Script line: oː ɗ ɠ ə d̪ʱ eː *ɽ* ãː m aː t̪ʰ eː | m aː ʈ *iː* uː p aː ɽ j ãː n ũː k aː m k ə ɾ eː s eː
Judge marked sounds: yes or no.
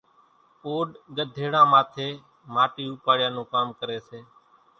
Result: yes, yes

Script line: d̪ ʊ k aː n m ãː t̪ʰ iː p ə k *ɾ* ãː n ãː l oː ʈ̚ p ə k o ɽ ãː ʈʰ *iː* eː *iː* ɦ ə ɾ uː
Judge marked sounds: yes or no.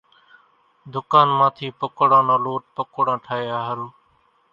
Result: no, no, no

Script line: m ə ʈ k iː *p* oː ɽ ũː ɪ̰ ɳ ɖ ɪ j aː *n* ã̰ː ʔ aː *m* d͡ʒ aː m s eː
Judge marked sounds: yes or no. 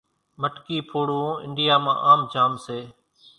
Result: no, no, yes

